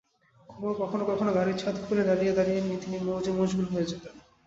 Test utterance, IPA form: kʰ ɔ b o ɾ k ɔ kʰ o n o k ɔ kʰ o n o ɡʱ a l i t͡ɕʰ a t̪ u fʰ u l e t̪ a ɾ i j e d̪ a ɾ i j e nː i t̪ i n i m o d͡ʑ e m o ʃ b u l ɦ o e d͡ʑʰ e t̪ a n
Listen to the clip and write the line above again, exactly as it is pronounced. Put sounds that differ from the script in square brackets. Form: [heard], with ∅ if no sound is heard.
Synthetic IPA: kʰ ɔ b o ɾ k ɔ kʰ o n o k ɔ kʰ o n o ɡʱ a [ɾ] i t͡ɕʰ a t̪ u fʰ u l e [d̪] a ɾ i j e d̪ a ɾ i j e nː i t̪ i n i m o d͡ʑ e m o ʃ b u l ɦ o e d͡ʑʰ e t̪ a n

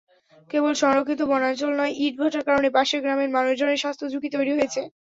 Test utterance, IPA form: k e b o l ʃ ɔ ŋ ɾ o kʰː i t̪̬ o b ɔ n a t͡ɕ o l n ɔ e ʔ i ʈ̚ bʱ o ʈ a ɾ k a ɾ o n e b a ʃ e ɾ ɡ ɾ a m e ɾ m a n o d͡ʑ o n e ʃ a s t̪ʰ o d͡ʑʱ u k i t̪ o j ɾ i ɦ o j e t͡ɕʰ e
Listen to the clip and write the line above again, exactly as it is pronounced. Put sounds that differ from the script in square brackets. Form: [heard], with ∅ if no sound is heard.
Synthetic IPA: k e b o l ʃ ɔ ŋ ɾ o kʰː i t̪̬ o b ɔ n a t͡ɕ o l n ɔ e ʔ i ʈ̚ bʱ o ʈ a ɾ k a ɾ o n e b a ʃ e ɾ ɡ ɾ a m e ɾ m a n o d͡ʑ o n e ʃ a s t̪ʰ o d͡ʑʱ u k i t̪ o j ɾ i ɦ o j e t͡ɕʰ e

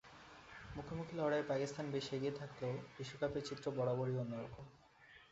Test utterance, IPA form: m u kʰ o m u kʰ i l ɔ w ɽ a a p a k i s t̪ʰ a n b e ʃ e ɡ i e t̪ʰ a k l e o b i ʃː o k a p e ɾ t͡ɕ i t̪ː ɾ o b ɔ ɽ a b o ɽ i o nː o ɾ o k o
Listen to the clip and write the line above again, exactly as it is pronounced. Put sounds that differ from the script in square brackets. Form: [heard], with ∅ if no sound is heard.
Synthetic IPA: m u kʰ o m u kʰ i l ɔ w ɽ a [e] p a k i s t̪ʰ a n b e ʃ e ɡ i e t̪ʰ a k l e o b i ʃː o k a p e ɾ t͡ɕ i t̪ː ɾ o b ɔ ɽ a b o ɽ i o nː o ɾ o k o

